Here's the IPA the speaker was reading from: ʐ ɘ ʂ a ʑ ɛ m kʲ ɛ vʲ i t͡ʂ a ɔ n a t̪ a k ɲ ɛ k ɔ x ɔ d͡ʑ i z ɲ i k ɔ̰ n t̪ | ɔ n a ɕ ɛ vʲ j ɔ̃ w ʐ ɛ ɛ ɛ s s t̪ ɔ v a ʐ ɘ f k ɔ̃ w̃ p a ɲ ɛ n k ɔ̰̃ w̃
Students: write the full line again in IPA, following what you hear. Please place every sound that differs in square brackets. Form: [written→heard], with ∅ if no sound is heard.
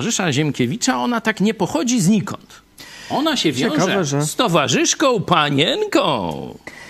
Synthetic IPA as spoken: ʐ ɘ ʂ a ʑ ɛ m kʲ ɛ vʲ i t͡ʂ a ɔ n a t̪ a k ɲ ɛ [k→p] ɔ x ɔ d͡ʑ i z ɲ i k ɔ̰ n t̪ | ɔ n a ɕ ɛ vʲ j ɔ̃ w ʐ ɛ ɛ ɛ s s t̪ ɔ v a ʐ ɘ [f→ʂ] k ɔ̃ w̃ p a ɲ ɛ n k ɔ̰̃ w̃